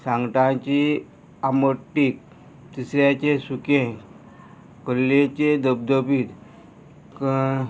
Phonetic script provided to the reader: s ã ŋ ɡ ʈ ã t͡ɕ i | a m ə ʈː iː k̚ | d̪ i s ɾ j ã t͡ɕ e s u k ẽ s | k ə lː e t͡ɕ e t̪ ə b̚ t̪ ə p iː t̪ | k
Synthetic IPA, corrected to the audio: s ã ŋ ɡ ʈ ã t͡ɕ i | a m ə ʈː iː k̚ | t̪ i s ɾ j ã t͡ɕ e s u k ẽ | k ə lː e t͡ɕ e d̪ ə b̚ d̪ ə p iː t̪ | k